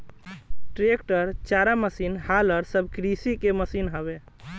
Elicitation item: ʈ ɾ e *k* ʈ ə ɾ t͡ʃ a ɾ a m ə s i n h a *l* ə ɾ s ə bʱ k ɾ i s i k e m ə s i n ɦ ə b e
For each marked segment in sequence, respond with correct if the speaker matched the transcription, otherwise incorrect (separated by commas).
correct, correct